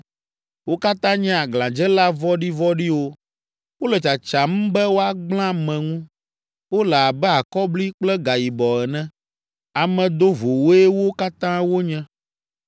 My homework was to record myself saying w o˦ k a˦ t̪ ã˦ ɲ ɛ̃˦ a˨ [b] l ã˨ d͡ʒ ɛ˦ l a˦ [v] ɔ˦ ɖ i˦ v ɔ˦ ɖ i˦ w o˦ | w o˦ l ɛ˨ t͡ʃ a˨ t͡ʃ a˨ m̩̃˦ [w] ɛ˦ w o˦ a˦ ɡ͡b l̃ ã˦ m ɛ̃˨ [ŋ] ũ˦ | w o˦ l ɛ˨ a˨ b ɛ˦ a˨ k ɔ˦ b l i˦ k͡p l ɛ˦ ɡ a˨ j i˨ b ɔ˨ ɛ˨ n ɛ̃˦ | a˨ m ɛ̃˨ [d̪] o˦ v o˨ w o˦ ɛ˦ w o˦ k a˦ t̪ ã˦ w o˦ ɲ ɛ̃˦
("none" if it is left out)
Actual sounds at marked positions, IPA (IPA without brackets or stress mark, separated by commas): ɡ, v, b, ŋ, d̪